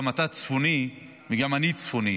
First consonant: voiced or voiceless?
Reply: voiced